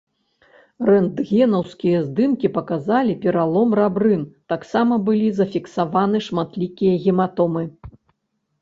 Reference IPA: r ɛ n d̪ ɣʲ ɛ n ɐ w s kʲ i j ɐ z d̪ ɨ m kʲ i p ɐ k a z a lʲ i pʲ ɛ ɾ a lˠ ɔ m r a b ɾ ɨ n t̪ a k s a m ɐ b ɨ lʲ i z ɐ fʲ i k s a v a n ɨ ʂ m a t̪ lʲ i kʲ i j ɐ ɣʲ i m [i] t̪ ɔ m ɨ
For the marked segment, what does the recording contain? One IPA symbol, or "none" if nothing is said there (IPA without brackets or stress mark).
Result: a